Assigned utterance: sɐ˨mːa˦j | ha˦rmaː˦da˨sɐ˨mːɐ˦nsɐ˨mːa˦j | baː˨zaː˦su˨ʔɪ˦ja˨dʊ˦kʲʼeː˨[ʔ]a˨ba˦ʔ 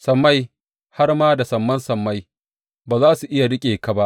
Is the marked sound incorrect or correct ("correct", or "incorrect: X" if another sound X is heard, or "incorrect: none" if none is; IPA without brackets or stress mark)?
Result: incorrect: k